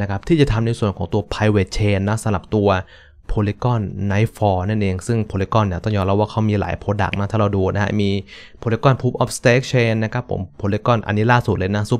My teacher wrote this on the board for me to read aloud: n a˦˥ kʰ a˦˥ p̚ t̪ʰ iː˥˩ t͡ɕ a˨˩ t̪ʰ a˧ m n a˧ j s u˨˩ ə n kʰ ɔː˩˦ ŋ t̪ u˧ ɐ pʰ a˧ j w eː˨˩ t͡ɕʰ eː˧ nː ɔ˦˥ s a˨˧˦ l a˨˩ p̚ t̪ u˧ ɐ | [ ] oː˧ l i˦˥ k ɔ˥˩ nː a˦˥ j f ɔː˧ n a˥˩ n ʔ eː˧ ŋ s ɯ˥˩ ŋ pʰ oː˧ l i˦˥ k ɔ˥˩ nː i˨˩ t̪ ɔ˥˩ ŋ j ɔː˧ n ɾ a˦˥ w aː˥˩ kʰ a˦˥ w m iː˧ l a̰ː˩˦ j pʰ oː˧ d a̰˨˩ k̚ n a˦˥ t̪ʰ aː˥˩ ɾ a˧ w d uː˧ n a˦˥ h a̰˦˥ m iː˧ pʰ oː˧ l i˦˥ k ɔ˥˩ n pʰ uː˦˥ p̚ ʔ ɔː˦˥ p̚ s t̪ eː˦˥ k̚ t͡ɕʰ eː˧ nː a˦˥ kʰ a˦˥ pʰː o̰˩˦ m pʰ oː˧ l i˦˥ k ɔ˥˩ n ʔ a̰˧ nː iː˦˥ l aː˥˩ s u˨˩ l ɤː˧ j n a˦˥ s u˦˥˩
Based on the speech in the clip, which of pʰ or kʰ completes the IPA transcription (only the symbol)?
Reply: pʰ